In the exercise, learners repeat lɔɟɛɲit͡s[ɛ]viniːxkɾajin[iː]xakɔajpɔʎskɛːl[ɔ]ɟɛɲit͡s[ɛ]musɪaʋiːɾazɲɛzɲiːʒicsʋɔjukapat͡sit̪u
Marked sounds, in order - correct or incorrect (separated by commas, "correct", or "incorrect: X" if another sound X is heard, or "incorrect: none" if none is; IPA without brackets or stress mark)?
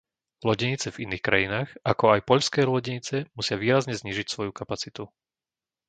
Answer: correct, incorrect: aː, correct, correct